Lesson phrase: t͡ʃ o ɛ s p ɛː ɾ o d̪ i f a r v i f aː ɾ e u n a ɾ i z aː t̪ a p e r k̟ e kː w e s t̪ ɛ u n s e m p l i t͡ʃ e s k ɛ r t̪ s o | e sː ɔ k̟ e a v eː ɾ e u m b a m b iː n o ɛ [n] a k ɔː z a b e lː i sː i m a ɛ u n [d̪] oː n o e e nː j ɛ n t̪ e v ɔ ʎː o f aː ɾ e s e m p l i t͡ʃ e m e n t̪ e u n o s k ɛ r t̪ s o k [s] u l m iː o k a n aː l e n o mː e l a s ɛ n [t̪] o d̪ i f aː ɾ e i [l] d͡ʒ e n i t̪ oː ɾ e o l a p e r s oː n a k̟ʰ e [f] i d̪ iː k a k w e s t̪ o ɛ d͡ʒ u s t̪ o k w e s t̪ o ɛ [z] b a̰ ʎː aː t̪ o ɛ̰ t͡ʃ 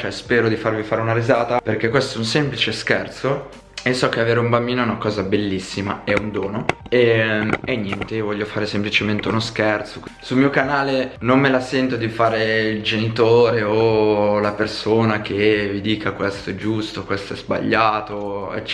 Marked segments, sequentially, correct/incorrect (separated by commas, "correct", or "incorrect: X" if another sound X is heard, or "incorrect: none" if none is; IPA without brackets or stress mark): correct, correct, correct, correct, correct, incorrect: v, correct